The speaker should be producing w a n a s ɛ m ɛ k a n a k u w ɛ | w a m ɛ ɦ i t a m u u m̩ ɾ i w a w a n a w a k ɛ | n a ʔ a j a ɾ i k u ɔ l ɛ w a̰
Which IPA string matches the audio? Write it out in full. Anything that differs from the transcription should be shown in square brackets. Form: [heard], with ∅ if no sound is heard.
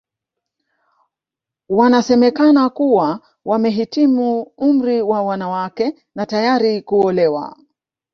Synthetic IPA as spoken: w a n a s ɛ m ɛ k a n a k u w [a] | w a m ɛ ɦ i t [i] m u u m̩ ɾ i w a w a n a w a k ɛ | n a [t] a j a ɾ i k u ɔ l ɛ w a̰